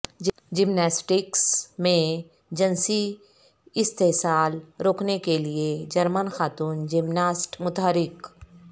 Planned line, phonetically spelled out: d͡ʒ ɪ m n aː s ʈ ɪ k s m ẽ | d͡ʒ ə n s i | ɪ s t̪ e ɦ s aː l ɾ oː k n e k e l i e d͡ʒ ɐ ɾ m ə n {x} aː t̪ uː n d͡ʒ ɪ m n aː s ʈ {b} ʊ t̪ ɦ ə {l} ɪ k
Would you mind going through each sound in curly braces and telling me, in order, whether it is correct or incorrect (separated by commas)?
correct, incorrect, incorrect